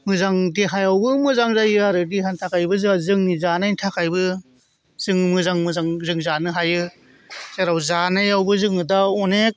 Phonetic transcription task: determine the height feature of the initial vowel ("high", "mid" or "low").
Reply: high